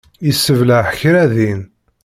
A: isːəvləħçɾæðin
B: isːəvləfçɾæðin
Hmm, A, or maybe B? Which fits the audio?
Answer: A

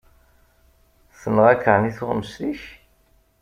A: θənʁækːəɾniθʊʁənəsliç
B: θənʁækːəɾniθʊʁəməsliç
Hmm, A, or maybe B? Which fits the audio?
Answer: B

